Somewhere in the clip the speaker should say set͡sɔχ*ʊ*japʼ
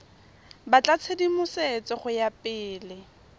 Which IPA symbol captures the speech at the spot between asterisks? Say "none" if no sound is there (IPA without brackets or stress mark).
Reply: ʊ